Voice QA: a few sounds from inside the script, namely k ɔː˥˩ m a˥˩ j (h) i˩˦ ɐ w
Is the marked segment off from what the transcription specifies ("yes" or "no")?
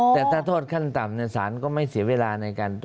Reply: yes